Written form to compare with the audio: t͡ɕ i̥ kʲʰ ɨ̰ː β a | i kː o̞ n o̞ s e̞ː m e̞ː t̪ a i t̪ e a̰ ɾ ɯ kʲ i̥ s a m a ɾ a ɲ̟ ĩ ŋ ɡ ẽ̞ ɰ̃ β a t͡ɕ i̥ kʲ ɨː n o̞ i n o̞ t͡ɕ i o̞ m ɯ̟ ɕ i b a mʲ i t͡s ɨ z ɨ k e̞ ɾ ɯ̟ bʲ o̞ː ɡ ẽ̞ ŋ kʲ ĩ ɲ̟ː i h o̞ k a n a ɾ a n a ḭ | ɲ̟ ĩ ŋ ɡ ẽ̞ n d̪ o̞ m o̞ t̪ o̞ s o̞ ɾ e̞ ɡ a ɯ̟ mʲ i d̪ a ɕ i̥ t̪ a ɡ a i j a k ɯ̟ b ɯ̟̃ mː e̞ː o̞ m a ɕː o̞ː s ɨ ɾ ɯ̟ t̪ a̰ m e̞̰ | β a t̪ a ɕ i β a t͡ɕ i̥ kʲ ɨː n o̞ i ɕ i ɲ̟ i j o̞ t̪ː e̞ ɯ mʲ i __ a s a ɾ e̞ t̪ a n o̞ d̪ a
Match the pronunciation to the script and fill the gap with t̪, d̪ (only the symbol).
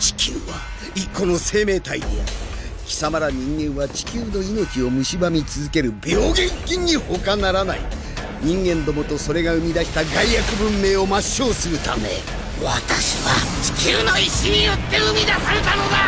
d̪